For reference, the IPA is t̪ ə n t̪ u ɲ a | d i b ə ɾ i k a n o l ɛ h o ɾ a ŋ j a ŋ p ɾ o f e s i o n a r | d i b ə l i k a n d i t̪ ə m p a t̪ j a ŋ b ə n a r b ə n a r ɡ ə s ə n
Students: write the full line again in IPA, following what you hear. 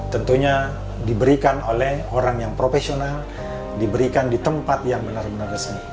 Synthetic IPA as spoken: t̪ ə n t̪ u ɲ a | d i b ə ɾ i k a n o l ɛ h o ɾ a ŋ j a ŋ p ɾ o f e s i o n a l | d i b ə ɾ i k a n d i t̪ ə m p a t̪ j a ŋ b ə n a r b ə n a r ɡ ə s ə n